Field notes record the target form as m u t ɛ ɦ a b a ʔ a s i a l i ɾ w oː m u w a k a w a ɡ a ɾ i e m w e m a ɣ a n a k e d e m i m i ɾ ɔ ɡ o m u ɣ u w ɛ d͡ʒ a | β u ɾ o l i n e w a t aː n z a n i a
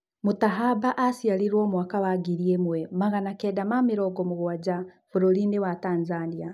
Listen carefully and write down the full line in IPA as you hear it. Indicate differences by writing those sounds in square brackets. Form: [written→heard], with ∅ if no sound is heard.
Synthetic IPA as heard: m u t [ɛ→a] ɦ a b a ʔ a s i a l i ɾ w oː m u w a k a w a ɡ [a→i] ɾ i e m w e m a ɣ a n a k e d [e→a] m [i→a] m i ɾ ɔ ɡ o m u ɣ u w [ɛ→a] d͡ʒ a | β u ɾ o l i n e w a t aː n z a n i a